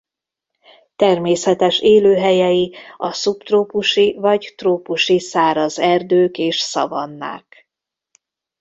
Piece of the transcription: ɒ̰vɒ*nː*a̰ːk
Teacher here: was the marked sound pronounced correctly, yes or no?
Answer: yes